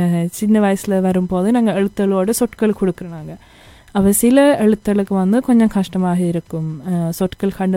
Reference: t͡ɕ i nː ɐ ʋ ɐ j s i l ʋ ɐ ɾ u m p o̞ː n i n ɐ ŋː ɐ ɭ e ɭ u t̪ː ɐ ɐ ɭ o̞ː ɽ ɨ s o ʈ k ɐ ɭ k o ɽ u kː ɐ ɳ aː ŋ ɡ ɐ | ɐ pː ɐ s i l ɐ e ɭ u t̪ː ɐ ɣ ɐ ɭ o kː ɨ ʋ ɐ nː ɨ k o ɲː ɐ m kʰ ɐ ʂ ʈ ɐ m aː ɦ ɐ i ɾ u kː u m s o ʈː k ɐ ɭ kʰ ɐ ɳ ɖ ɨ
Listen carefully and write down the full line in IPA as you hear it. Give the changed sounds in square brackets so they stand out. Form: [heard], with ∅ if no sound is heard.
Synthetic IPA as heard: t͡ɕ i nː ɐ ʋ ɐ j s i l ʋ ɐ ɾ u m p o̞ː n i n ɐ ŋː ɐ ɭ e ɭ u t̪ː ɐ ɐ ɭ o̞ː ɽ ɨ s o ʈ k ɐ ɭ k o ɽ u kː ɐ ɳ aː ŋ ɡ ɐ | ɐ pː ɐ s i l ɐ e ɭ u t̪ː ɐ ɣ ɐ ɭ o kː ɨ ʋ ɐ nː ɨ k o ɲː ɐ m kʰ ɐ ʂ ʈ ɐ m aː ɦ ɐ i ɾ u kː u m s o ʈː k ɐ ɭ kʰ ɐ ɳ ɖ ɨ